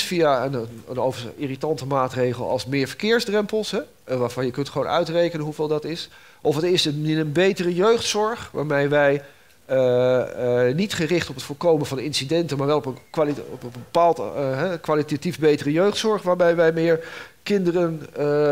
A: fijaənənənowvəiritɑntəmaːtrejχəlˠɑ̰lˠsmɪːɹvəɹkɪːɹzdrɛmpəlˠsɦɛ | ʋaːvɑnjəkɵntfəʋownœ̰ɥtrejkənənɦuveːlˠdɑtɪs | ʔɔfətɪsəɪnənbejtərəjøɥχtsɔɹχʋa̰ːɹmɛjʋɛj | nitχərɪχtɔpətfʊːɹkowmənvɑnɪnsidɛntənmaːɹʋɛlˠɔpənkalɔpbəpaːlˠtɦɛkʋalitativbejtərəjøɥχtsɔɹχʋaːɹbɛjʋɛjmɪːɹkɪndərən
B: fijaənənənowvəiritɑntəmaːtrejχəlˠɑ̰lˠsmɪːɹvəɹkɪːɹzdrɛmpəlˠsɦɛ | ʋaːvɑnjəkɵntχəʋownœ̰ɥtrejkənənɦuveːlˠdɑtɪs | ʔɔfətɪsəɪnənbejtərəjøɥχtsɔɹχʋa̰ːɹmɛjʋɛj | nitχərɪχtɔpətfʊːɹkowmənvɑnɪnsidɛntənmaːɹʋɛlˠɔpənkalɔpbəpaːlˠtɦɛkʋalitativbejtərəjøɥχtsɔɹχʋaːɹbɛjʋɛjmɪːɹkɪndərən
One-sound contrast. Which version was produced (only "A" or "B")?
B